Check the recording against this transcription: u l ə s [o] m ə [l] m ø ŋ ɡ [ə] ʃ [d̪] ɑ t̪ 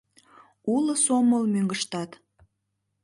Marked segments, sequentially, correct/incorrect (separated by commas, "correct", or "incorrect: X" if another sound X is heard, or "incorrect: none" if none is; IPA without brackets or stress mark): correct, correct, correct, incorrect: t̪